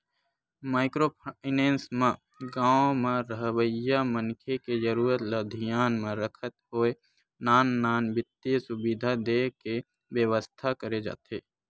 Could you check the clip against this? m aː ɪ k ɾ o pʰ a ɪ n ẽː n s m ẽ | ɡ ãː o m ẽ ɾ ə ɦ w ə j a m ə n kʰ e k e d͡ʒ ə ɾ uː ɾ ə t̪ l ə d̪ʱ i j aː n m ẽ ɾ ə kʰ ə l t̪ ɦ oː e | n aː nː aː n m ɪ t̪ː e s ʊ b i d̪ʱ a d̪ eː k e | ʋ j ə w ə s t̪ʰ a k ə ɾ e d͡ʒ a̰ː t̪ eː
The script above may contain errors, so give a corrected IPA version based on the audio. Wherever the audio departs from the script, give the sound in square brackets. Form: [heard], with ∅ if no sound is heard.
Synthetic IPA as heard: m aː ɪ k ɾ o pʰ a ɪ n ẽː n s m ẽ | ɡ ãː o m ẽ ɾ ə ɦ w ə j a m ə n kʰ e k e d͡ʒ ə ɾ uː ɾ ə t̪ l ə d̪ʱ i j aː n m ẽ ɾ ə kʰ ə [∅] t̪ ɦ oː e | n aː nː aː n [b] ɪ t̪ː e s ʊ b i d̪ʱ a d̪ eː k e | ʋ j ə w ə s t̪ʰ a k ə ɾ e d͡ʒ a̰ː t̪ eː